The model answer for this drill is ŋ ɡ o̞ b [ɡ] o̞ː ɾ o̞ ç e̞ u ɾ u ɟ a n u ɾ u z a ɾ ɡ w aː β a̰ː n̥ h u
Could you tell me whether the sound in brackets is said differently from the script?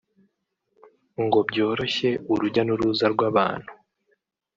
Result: yes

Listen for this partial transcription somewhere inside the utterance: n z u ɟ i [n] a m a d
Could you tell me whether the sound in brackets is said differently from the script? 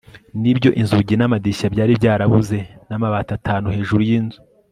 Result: no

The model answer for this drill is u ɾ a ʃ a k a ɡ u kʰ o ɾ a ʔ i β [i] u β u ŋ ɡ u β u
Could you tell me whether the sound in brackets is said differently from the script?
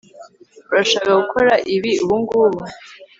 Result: no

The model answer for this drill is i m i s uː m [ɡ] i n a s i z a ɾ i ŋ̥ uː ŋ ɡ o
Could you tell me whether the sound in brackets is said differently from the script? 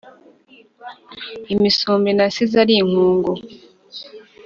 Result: yes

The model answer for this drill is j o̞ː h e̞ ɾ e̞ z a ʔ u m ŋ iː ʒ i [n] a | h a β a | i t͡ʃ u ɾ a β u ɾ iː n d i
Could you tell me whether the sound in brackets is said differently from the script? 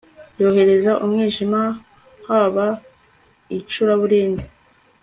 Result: yes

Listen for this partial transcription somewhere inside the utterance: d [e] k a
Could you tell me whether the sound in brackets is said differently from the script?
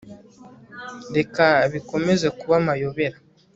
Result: no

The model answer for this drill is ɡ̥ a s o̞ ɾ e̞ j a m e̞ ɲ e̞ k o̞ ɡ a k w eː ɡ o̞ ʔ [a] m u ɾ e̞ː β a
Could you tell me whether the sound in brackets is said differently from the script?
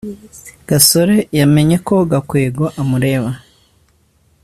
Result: no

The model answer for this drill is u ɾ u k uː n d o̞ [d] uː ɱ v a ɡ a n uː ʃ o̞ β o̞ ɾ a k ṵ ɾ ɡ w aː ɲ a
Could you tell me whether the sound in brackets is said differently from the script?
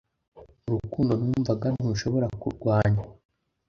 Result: yes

